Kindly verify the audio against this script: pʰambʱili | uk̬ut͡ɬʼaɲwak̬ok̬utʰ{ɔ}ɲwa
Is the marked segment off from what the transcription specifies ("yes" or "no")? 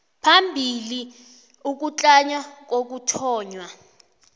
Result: yes